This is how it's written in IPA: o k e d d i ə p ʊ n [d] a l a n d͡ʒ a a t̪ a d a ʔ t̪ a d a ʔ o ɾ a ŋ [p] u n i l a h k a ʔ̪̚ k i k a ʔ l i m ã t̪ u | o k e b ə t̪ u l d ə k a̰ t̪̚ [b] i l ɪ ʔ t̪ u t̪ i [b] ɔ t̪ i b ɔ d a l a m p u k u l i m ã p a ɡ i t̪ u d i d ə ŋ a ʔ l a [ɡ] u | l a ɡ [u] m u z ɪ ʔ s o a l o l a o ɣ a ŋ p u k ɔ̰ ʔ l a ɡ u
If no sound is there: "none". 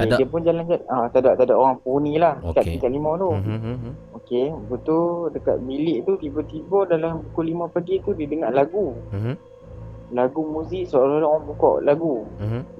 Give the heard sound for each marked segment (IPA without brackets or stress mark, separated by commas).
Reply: d͡ʒ, p, b, b, ɡ, u